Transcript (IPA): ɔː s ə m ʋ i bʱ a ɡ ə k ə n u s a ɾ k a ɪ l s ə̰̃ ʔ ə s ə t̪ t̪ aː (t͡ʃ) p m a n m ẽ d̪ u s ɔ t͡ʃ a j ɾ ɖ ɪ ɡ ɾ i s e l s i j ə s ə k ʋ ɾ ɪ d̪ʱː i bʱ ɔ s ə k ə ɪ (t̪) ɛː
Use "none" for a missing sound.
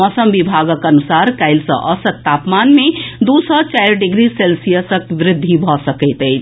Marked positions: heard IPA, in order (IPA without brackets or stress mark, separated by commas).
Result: none, t̪